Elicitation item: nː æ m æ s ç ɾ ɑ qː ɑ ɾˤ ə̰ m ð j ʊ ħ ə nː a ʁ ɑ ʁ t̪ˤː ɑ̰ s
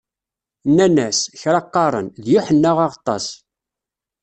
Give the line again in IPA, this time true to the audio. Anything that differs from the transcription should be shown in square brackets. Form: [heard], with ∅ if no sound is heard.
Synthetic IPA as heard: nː æ [n] æ s ç ɾ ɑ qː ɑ ɾˤ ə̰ [n] ð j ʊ ħ ə nː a ʁ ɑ ʁ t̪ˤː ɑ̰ s